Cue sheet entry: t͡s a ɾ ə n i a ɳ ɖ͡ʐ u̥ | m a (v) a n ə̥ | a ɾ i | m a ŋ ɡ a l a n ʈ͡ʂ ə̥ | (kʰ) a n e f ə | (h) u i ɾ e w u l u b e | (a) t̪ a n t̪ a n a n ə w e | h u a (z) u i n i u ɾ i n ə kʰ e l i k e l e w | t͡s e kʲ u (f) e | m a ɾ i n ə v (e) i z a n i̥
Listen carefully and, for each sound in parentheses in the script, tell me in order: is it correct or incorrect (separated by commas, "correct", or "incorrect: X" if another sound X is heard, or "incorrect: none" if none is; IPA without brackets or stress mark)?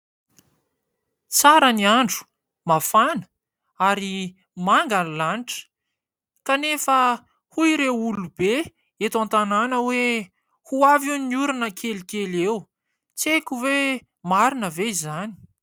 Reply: incorrect: f, incorrect: k, correct, incorrect: e, incorrect: v, incorrect: v, correct